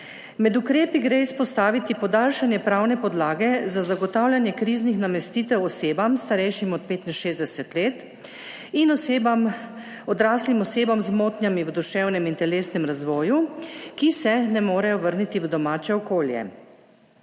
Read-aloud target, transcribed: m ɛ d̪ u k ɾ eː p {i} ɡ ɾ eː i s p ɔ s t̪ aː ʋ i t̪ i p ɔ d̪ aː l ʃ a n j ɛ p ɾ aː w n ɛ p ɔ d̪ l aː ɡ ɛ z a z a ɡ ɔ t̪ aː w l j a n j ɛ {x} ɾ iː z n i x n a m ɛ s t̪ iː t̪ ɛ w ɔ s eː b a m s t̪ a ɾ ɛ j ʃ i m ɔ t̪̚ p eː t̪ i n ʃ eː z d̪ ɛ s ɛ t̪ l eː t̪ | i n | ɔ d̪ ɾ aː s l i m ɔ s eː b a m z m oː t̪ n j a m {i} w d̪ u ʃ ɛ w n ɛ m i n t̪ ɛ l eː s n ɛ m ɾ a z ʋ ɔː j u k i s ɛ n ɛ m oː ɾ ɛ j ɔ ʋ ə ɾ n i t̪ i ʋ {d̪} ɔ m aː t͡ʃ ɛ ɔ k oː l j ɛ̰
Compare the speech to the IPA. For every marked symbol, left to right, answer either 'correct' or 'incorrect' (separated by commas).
correct, incorrect, correct, correct